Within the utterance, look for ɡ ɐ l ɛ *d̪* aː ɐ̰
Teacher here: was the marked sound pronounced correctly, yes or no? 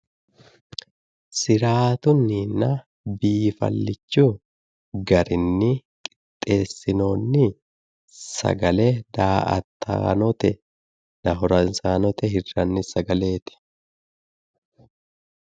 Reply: yes